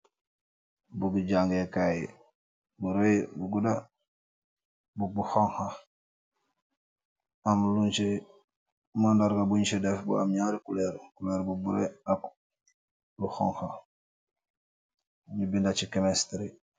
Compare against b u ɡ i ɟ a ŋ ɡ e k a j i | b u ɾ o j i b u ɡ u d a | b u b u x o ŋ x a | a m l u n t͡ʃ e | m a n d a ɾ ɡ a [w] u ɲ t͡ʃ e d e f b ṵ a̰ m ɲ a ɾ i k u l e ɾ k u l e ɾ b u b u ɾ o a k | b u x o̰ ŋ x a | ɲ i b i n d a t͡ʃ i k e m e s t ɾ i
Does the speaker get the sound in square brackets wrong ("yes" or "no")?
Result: yes